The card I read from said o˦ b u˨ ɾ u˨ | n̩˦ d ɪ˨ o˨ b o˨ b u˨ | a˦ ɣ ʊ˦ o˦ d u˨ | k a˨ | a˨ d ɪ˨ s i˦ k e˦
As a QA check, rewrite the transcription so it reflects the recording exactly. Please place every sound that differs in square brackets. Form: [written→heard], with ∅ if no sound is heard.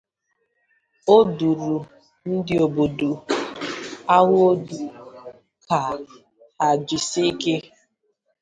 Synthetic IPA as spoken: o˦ [b→d] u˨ ɾ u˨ | n̩˦ d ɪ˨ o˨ b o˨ [b→d] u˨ | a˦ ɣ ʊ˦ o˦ d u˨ | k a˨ | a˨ [d→d͡ʒ] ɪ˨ s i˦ k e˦